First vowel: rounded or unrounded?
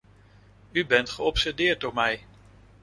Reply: rounded